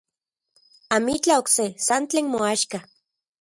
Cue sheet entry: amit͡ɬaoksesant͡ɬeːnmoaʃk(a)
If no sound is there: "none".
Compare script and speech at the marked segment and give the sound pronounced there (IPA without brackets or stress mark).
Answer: a